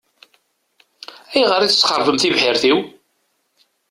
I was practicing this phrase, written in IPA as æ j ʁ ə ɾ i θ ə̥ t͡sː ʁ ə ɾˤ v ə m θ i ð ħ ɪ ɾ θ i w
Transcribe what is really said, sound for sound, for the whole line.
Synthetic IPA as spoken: æ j ʁ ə ɾ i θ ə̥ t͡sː χ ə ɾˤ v ə m θ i v ħ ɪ ɾ θ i w

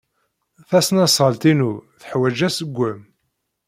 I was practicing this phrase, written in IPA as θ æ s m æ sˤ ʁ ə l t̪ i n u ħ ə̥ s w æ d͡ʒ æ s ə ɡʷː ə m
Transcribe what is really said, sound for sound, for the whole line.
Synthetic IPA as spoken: θ æ s n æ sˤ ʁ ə l t̪ i n u θ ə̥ ħ w æ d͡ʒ æ s ə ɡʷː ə m

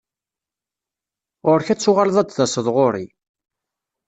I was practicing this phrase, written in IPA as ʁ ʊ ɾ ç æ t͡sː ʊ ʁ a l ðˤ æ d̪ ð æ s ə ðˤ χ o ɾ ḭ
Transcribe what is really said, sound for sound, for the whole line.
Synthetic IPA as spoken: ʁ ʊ ɾ ç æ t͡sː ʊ ʁ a l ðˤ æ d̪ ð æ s ə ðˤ ʁ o ɾ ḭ

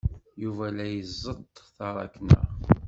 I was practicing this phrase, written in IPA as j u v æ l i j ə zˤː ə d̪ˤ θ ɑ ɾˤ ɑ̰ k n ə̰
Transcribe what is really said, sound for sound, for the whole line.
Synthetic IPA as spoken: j u v æ l æ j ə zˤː ə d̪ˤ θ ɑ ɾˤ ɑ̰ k n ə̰

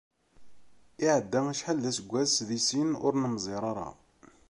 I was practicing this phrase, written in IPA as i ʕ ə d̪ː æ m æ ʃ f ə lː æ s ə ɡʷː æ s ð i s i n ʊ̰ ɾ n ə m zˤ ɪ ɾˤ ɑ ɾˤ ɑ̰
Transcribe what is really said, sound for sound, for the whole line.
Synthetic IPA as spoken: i ʕ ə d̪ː æ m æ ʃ ħ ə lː æ s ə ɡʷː æ s ð i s i n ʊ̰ ɾ n ə m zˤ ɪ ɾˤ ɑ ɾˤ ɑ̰

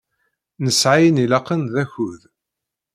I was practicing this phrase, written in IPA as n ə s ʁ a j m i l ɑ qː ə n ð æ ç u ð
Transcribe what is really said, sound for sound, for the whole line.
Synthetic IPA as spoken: n ə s ʕ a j n i l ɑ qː ə n ð æ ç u ð

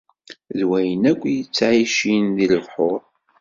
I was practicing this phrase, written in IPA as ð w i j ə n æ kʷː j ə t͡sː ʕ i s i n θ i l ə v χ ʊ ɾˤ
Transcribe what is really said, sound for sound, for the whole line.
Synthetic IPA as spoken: ð w æ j ə n æ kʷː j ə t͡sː ʕ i ʃ i n ð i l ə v ħ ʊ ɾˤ

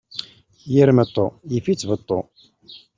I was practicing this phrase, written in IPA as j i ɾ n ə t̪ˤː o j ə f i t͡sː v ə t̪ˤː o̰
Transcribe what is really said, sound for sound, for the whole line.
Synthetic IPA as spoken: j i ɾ m ə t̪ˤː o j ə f i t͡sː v ə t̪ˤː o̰

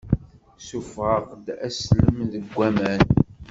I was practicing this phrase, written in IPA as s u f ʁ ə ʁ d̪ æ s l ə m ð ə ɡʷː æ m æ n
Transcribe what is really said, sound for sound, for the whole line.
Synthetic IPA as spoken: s u f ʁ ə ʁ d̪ æ s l ə m ð ə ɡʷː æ m æ n

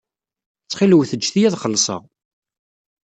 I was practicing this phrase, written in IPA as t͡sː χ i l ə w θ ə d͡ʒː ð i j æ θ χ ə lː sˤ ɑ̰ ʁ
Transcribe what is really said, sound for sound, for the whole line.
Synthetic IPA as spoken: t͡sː χ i l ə w θ ə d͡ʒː θ i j æ ð χ ə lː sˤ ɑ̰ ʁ

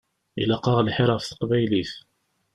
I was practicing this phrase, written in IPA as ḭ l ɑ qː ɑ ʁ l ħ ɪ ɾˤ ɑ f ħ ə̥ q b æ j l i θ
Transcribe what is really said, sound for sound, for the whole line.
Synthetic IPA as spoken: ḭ l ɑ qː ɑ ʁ l ħ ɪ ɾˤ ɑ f θ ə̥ q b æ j l i θ

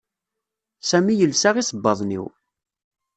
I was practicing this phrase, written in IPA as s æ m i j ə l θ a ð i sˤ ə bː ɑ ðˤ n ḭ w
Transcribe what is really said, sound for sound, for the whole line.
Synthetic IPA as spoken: s æ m i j ə l s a ʁ i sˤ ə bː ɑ ðˤ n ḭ w

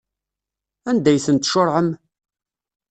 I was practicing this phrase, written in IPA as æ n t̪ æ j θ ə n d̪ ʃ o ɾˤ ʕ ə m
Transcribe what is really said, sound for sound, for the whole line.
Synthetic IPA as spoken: æ n d̪ æ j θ ə n t̪ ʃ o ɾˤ ʕ ə m

